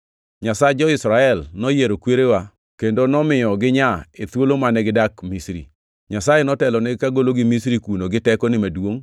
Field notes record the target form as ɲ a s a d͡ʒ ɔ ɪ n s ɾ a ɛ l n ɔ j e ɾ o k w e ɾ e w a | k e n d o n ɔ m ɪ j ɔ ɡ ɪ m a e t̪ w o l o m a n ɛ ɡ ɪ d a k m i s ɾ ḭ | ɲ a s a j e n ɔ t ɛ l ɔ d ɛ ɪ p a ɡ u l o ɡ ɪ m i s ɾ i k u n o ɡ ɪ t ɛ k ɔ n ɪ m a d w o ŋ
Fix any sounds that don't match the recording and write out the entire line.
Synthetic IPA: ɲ a s a d͡ʒ ɔ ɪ s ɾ a ɛ l n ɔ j e ɾ o k w e ɾ e w a | k e n d o n ɔ m ɪ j ɔ ɡ ɪ ɲ a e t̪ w o l o m a n ɛ ɡ ɪ d a k m i s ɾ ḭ | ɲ a s a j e n ɔ t ɛ l ɔ n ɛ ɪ k a ɡ o l o ɡ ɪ m i s ɾ i k u n o ɡ ɪ t ɛ k ɔ n ɪ m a d w o ŋ